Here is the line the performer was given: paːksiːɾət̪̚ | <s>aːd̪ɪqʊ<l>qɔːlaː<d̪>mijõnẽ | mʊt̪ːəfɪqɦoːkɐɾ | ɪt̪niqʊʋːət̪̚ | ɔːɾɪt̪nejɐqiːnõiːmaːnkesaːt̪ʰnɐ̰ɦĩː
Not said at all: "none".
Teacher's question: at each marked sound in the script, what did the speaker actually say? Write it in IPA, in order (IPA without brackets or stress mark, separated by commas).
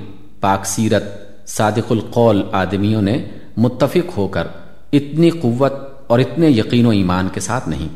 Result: s, l, d̪